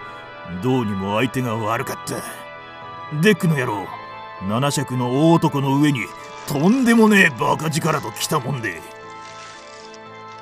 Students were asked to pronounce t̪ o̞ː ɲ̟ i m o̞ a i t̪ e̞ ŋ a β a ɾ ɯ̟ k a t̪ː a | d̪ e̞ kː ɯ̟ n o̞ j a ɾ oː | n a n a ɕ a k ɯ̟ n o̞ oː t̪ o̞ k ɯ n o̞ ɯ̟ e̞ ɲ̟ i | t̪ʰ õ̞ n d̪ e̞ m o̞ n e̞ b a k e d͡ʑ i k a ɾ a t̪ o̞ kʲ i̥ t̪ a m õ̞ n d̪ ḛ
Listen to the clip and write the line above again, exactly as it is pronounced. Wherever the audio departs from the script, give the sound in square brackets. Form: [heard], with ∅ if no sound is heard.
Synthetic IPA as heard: [d̪] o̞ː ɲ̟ i m o̞ a i t̪ e̞ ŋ a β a ɾ ɯ̟ k a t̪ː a | d̪ e̞ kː ɯ̟ n o̞ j a ɾ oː | n a n a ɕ a k ɯ̟ n o̞ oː t̪ o̞ k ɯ n o̞ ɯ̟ e̞ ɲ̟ i | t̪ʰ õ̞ n d̪ e̞ m o̞ n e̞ b a k [a] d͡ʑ i k a ɾ a t̪ o̞ kʲ i̥ t̪ a m õ̞ n d̪ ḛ